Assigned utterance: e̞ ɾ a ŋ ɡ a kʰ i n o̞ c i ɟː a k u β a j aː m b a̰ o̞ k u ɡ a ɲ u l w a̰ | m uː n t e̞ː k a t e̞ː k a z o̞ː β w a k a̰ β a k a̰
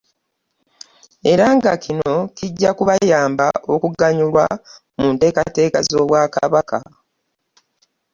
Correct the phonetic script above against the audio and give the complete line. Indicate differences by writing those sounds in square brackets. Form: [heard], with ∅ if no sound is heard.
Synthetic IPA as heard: e̞ ɾ a ŋ ɡ a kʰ i n o̞ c i ɟː a k u β a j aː m b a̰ o̞ k u ɡ a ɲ u l w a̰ | m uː n t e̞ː k a t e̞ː k a z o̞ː β w a k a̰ β a k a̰